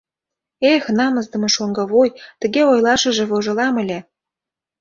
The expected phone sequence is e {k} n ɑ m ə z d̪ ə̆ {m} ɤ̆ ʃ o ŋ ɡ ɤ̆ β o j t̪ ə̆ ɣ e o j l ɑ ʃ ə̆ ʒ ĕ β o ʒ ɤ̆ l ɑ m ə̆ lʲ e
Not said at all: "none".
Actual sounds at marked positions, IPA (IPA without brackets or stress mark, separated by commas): x, m